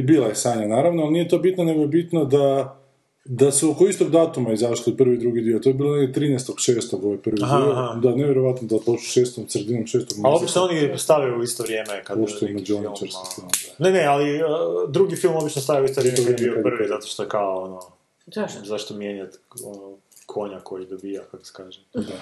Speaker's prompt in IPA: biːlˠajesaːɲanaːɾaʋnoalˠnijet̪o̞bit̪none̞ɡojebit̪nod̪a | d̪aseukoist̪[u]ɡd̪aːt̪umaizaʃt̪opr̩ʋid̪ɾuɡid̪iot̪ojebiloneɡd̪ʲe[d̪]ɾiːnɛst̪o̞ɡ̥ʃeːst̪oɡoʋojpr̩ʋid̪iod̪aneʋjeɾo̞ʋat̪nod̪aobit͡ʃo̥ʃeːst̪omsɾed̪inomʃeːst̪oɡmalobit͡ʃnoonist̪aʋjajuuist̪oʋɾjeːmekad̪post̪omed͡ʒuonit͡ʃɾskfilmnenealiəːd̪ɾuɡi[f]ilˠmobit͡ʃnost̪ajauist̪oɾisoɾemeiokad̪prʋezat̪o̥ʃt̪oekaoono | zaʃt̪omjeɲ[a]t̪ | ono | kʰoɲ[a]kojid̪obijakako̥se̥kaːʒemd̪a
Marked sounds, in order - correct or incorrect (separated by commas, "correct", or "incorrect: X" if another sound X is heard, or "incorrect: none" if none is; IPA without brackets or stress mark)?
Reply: incorrect: o, incorrect: t̪, correct, correct, correct